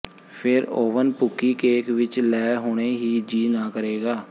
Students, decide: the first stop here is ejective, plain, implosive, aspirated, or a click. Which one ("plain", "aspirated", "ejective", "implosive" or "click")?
aspirated